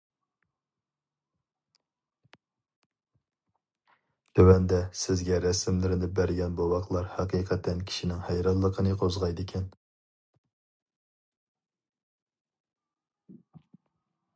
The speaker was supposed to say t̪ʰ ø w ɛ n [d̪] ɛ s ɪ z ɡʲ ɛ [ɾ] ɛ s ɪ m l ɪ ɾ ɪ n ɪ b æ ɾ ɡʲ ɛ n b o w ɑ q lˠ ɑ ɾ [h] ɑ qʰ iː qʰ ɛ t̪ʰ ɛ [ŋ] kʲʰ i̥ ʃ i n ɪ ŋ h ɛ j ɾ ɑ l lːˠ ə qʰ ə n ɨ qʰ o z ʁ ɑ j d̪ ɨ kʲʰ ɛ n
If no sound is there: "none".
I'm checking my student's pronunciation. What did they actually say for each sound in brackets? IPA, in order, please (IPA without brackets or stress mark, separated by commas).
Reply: d̪, ɾ, h, n